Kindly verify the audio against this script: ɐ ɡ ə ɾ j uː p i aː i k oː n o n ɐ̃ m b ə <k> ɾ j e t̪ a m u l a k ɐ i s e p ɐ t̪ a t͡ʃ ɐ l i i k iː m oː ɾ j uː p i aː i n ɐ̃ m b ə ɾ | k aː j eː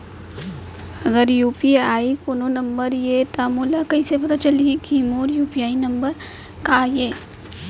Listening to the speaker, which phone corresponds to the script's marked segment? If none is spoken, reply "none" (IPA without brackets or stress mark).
none